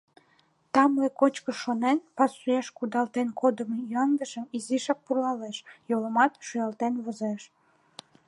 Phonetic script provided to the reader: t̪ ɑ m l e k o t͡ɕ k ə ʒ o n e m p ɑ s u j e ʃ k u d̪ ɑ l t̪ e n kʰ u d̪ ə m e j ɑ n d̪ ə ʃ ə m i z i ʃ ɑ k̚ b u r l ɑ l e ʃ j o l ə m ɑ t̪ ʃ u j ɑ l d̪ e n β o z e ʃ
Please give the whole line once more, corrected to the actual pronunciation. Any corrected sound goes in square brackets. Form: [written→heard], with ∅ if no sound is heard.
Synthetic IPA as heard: t̪ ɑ m l e k o t͡ɕ k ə [ʒ→ʃ] o n e [m→n] p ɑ s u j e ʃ k u d̪ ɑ l t̪ e n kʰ [u→o] d̪ ə m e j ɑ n d̪ ə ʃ ə m i z i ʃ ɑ k̚ [b→p] u r l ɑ l e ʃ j o l ə m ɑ t̪ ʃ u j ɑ l [d̪→t̪] e n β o z e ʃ